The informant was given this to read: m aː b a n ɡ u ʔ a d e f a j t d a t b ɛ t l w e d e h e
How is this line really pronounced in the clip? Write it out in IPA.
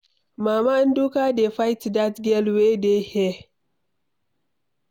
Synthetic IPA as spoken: m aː m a n d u k a d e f a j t d a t ɡ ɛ l w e d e h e